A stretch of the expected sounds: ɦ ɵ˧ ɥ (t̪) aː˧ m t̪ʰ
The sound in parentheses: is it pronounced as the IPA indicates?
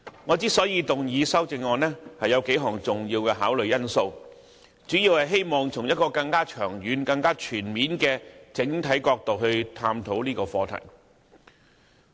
no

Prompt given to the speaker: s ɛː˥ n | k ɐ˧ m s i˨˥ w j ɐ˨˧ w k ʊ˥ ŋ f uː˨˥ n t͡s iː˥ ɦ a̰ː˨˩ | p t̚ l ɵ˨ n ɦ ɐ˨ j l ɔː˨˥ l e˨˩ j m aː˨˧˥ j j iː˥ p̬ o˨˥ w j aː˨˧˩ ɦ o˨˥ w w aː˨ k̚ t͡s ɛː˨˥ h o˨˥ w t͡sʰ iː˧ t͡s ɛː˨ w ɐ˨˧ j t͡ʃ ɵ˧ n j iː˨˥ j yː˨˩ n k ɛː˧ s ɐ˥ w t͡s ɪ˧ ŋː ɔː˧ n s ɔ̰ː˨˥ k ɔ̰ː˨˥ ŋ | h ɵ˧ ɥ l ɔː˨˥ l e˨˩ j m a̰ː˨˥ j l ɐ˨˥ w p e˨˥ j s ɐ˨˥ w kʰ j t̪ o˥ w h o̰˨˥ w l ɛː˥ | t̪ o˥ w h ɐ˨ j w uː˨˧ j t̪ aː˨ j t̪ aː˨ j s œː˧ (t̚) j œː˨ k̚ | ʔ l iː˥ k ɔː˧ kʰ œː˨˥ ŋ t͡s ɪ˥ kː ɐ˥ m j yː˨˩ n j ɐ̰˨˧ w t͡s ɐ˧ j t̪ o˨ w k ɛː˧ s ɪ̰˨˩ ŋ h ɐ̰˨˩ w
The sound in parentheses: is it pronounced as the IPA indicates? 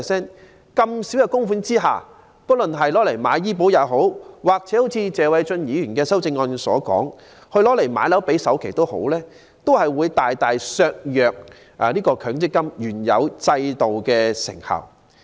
no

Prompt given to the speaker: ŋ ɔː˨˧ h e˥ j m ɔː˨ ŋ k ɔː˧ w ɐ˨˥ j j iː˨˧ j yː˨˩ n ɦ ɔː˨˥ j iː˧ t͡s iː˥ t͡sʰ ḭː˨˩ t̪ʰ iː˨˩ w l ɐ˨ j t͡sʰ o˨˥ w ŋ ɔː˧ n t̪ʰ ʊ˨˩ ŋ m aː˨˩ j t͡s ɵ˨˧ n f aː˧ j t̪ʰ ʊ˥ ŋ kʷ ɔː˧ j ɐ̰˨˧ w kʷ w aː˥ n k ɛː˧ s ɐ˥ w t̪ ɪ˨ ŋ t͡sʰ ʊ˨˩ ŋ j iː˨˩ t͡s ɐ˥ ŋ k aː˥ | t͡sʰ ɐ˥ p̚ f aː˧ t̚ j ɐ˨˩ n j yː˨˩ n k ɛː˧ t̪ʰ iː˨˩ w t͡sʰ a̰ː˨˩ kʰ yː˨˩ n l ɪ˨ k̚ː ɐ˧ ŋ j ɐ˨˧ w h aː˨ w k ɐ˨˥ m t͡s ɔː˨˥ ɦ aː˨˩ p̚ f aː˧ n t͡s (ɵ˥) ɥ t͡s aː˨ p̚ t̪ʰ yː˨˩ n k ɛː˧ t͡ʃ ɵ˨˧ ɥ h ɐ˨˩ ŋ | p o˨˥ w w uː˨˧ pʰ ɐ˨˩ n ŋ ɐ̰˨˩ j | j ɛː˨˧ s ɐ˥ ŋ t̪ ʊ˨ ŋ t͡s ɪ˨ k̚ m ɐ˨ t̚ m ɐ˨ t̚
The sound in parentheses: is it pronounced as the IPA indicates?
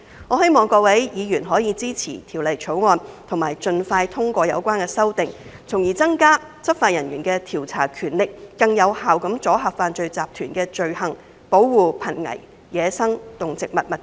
no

